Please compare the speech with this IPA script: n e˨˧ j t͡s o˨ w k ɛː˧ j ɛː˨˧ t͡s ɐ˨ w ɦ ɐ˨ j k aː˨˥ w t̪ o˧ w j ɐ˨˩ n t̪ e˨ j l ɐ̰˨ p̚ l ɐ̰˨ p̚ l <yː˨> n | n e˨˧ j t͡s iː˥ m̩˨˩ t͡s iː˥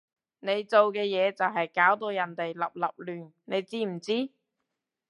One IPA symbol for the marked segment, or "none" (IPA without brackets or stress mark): yː˨